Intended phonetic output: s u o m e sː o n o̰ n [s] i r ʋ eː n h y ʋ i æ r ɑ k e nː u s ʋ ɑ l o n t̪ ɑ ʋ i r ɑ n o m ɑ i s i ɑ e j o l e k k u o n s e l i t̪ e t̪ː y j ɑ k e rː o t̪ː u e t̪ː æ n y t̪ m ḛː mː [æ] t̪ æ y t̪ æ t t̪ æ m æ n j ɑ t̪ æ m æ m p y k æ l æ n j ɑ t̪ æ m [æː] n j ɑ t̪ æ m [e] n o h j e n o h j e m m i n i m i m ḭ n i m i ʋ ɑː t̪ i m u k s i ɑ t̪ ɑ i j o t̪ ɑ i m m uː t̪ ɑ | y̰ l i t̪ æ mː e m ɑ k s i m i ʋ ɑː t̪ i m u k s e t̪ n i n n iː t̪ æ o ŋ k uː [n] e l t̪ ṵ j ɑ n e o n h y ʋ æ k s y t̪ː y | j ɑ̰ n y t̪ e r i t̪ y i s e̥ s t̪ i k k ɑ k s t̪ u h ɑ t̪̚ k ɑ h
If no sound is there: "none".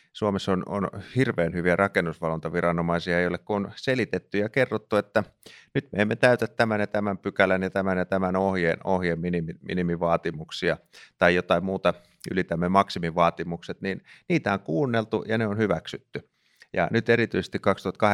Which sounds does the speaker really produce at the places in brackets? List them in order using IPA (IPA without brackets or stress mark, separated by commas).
h, e, æ, æ, nː